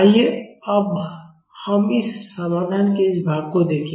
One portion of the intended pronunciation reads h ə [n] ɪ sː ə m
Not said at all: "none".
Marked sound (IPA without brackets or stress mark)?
m